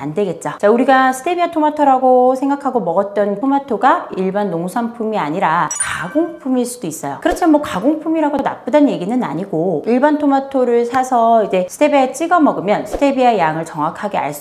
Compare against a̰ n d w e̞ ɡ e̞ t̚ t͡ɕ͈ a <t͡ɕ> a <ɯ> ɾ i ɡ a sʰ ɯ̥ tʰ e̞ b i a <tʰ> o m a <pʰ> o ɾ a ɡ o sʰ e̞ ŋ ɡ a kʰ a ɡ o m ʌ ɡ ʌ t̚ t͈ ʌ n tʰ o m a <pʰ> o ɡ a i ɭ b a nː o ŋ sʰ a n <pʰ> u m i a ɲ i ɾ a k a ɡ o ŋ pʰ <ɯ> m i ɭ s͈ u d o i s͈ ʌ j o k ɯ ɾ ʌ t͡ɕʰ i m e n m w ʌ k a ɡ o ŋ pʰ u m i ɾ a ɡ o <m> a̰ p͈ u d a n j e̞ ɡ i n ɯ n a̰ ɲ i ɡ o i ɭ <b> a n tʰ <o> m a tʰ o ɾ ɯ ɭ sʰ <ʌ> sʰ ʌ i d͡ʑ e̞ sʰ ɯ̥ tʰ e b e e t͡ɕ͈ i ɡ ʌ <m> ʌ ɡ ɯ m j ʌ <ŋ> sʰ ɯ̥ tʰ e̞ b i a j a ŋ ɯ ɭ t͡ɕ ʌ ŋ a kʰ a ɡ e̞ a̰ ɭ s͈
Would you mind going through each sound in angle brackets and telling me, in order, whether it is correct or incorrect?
correct, incorrect: u, correct, incorrect: tʰ, incorrect: tʰ, correct, incorrect: u, incorrect: n, correct, correct, incorrect: a, correct, incorrect: n

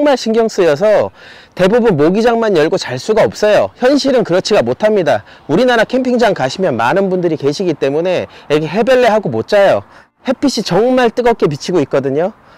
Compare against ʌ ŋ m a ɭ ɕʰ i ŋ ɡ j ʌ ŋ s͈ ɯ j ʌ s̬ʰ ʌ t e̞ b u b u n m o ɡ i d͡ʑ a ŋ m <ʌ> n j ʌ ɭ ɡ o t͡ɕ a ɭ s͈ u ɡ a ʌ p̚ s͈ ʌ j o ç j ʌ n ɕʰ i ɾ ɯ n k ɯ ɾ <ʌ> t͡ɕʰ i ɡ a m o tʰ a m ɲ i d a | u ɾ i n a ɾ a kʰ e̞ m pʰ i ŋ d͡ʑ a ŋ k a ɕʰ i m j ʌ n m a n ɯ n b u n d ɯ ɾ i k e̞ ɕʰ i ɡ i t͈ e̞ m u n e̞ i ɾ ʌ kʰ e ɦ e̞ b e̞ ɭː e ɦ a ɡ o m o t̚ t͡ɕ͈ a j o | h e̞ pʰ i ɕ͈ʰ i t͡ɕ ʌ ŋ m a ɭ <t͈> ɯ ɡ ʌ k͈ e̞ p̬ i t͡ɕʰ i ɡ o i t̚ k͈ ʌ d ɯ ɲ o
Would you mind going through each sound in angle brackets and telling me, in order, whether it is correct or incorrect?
incorrect: a, correct, correct

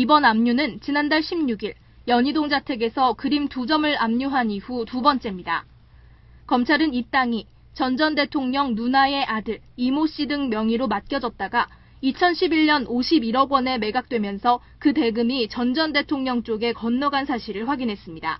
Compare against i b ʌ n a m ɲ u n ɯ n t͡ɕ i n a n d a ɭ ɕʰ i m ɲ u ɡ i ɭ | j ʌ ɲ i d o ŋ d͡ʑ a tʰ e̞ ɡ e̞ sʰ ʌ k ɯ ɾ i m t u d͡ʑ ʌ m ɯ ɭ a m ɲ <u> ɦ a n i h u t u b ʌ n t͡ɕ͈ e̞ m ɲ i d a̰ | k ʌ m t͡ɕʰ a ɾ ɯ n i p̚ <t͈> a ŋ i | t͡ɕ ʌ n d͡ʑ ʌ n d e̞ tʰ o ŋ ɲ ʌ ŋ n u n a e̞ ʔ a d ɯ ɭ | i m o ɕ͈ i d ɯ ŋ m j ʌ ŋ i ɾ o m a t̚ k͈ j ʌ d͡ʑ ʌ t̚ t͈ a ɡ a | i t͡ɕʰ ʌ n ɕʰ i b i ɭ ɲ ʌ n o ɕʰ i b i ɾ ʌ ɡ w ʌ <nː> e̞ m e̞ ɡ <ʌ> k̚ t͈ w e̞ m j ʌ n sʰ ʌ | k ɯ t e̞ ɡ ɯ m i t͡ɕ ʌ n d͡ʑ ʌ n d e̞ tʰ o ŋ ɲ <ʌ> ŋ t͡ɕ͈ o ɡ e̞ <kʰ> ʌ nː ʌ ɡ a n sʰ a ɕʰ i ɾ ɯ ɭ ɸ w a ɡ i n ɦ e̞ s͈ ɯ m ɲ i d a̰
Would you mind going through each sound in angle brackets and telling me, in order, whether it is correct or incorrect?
correct, correct, incorrect: n, incorrect: a, correct, incorrect: k

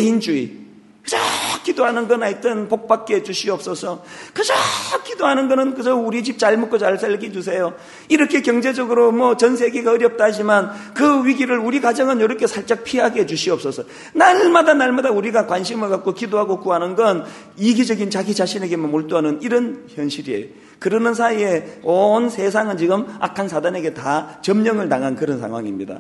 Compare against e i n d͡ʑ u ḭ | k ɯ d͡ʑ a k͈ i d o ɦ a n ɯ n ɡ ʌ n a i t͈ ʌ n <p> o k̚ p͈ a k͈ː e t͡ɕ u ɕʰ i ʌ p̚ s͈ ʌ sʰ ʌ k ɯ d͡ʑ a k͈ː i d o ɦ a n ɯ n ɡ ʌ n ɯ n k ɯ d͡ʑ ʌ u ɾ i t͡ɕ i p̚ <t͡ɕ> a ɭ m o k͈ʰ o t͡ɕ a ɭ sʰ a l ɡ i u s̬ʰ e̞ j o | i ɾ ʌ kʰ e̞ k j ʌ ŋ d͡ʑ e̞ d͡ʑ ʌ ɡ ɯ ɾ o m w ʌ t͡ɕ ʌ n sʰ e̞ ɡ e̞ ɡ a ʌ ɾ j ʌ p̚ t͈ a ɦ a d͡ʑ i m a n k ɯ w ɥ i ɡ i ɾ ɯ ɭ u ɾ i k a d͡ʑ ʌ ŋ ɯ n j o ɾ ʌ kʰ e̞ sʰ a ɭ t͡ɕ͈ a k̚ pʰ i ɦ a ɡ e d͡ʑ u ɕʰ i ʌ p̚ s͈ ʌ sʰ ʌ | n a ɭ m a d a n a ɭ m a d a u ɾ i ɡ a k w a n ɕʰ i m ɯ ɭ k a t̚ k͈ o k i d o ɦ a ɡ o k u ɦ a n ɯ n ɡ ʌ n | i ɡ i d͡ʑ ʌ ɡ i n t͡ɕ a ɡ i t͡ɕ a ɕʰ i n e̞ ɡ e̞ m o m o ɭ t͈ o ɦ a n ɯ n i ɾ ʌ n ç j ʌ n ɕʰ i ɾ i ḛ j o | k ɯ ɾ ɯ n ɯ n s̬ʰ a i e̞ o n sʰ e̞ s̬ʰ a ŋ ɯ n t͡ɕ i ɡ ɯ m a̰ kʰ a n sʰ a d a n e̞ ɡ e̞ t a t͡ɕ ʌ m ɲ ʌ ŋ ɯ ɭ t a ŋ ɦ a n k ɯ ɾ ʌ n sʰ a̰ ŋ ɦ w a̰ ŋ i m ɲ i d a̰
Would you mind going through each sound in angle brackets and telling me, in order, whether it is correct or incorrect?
correct, correct

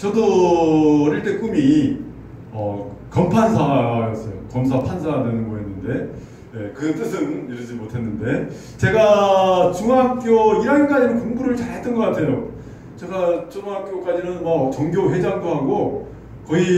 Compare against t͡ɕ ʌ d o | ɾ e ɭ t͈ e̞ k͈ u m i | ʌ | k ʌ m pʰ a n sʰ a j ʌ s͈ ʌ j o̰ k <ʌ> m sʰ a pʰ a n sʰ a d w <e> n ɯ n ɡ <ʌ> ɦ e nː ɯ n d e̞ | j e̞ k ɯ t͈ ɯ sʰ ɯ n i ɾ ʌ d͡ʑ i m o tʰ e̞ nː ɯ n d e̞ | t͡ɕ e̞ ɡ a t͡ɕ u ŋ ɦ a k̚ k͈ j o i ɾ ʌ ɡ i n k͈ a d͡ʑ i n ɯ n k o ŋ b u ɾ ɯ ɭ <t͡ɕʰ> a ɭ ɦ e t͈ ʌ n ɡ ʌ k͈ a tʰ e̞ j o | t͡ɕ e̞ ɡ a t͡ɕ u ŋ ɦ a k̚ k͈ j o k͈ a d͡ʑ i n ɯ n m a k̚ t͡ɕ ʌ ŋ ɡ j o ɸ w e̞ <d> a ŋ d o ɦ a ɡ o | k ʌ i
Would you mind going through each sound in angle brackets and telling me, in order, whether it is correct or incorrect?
correct, correct, correct, incorrect: t͡ɕ, incorrect: d͡ʑ

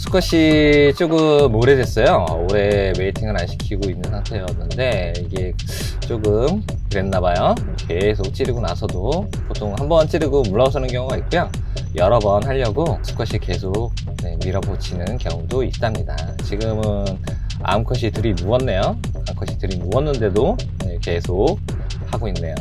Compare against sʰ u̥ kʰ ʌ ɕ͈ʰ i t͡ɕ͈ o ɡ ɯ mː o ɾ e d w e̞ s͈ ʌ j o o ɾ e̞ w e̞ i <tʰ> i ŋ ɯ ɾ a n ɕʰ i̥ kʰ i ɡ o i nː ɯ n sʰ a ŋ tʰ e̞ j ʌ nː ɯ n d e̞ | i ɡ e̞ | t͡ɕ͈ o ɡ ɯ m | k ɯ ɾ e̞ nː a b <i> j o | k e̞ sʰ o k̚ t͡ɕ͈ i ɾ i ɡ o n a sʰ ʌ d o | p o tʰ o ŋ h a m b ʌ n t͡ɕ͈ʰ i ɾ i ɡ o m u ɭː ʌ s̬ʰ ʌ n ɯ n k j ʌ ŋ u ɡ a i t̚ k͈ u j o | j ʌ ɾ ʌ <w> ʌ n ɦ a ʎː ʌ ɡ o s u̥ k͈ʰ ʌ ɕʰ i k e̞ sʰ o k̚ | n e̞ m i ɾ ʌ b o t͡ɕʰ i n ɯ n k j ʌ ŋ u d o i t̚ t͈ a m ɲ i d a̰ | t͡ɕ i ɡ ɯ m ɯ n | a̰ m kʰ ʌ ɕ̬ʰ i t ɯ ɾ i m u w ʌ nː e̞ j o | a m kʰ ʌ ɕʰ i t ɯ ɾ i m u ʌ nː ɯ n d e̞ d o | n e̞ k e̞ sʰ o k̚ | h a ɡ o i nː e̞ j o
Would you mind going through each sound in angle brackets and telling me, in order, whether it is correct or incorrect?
correct, incorrect: a, incorrect: b

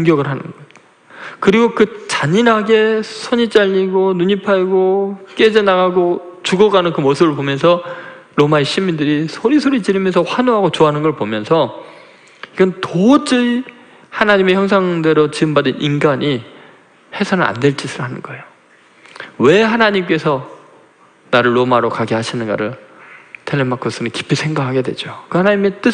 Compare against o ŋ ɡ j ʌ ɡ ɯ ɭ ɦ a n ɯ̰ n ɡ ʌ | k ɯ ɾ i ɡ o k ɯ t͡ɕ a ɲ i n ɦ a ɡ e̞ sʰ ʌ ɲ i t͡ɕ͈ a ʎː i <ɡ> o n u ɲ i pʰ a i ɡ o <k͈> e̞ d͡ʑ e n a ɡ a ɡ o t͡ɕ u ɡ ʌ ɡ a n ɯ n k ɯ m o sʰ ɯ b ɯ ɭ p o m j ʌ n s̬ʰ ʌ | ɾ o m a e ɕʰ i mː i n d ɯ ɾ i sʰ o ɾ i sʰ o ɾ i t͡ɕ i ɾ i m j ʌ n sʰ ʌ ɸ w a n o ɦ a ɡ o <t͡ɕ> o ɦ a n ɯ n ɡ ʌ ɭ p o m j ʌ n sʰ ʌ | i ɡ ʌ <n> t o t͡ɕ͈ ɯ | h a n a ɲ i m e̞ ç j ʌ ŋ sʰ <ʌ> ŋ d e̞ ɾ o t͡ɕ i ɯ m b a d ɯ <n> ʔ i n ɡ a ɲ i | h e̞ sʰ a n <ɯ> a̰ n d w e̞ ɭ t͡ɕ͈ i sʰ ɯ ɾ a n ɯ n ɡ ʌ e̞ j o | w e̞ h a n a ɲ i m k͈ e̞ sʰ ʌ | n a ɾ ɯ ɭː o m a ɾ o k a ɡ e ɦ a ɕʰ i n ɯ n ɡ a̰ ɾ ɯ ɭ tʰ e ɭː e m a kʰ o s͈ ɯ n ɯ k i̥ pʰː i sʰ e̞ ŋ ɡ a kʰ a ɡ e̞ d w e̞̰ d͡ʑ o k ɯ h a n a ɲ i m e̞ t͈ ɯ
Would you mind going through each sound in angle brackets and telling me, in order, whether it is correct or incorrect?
correct, correct, correct, correct, incorrect: a, correct, correct

